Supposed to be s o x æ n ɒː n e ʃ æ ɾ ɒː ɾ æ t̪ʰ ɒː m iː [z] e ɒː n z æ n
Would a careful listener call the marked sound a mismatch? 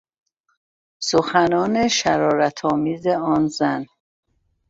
no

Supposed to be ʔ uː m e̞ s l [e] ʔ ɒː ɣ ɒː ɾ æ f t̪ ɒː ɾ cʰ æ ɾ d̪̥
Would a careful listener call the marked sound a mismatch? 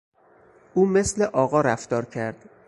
no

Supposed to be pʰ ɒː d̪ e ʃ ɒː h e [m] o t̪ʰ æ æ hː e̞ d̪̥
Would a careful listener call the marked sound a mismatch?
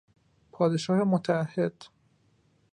no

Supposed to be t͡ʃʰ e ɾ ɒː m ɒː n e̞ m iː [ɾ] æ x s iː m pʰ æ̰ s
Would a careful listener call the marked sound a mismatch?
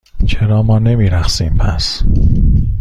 no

